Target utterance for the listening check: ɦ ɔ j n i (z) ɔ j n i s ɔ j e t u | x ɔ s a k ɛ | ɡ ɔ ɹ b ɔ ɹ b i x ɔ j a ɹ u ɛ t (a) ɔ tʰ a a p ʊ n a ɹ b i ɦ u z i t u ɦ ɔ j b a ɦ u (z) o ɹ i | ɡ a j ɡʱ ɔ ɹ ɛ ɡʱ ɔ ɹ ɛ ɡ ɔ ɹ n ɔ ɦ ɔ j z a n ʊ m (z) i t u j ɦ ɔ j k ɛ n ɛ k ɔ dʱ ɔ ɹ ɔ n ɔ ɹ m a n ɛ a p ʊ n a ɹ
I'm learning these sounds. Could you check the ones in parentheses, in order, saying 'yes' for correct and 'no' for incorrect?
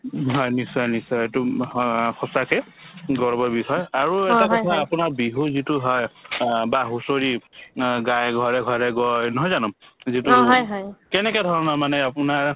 no, yes, no, yes

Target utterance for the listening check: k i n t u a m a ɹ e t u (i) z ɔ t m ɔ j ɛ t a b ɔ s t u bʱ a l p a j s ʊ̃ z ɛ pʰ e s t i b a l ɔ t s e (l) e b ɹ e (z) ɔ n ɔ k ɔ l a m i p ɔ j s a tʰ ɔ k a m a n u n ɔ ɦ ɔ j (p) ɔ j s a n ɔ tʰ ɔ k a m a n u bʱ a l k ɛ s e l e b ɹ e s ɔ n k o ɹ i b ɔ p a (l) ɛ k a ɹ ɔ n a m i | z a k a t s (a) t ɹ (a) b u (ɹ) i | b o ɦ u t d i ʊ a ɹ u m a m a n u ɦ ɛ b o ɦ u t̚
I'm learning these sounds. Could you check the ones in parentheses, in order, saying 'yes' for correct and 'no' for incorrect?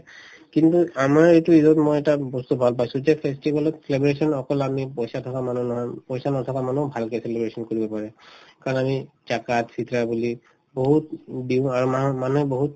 yes, yes, no, yes, no, no, yes, no

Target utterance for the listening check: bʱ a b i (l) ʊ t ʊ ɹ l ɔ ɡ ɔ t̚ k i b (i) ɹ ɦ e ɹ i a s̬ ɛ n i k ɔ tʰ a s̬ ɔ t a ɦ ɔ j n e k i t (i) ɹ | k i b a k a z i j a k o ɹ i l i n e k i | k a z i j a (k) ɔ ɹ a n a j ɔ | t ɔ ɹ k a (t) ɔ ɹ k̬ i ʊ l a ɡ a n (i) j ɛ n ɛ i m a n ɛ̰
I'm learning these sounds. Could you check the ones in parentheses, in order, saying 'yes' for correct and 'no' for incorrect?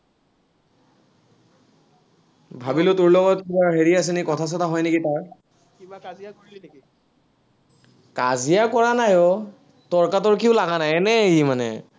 yes, no, no, yes, yes, no

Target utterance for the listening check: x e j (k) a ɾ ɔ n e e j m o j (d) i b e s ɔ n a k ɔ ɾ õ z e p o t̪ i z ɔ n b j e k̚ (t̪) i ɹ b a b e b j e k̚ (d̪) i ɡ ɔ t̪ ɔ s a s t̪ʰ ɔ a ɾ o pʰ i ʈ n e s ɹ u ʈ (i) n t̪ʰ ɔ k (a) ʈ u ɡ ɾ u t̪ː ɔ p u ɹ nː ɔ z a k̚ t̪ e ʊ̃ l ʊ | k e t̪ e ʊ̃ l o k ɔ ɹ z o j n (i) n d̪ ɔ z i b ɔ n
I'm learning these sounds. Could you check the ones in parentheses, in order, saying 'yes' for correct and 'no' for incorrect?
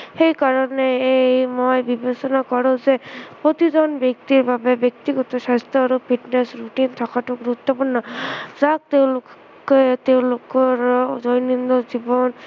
yes, no, yes, no, yes, yes, yes

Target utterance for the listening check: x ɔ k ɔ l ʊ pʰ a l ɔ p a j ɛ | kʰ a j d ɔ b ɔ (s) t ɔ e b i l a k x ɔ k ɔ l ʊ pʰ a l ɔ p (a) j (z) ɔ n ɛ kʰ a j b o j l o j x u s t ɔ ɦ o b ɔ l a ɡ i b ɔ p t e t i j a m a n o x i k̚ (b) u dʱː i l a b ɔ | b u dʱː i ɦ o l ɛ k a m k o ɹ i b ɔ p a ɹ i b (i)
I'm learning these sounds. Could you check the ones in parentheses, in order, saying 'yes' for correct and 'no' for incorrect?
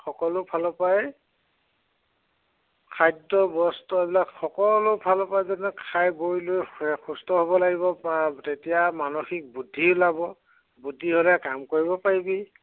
yes, yes, yes, yes, yes

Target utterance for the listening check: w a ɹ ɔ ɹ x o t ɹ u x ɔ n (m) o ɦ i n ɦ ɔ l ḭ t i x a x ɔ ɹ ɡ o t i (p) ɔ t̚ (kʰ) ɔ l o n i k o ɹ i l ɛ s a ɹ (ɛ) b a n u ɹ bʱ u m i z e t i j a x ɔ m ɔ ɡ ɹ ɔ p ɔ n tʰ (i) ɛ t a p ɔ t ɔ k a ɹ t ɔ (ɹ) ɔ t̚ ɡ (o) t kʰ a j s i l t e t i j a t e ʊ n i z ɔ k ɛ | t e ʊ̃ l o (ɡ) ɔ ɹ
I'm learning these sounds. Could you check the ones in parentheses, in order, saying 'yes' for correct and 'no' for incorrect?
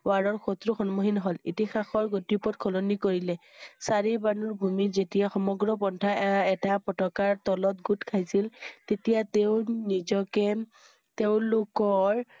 yes, yes, yes, no, no, no, no, no

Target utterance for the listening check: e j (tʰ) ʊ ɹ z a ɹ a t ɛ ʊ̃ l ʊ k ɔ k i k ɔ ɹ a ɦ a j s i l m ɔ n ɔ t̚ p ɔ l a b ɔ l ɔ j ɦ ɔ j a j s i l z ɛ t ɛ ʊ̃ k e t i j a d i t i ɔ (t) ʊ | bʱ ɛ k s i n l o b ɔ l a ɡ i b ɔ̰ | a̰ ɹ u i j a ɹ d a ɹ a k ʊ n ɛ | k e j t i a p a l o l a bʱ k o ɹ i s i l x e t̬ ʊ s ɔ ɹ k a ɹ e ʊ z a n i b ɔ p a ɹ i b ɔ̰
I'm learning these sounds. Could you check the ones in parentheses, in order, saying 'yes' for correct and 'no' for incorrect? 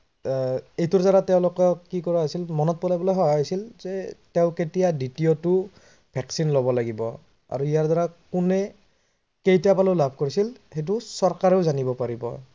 no, yes

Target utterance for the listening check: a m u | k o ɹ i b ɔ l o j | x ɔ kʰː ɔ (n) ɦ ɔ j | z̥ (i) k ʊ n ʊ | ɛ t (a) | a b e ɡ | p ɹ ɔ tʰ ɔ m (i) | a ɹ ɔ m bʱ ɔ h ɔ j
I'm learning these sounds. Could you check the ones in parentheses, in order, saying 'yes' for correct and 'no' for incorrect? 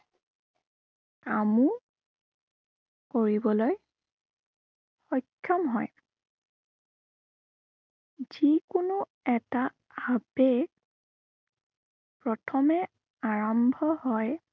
no, yes, yes, no

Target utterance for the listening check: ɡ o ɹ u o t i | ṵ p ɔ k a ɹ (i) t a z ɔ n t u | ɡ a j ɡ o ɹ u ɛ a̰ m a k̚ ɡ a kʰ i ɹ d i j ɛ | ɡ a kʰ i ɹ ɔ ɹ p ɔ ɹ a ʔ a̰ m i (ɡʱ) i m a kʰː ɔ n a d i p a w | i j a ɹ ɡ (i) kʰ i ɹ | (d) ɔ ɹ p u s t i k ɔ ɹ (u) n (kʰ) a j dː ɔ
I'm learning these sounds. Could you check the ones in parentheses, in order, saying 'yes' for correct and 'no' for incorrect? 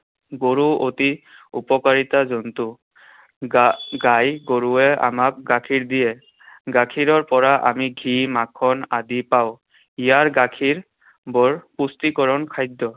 yes, yes, no, no, no, yes

